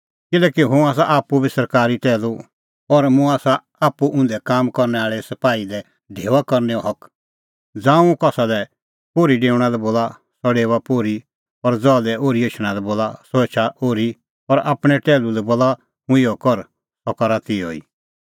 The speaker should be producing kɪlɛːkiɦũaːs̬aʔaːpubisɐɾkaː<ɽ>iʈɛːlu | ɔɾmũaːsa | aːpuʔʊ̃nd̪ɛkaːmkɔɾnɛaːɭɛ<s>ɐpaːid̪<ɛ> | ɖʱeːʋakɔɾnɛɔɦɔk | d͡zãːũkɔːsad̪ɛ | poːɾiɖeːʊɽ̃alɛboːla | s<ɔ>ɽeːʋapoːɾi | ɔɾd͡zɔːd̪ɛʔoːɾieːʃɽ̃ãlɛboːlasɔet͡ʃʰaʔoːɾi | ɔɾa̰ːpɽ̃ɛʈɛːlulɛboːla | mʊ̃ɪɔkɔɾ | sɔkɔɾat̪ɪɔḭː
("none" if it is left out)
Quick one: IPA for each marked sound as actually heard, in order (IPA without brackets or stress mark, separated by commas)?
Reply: ɾ, s, ɛ, ɔ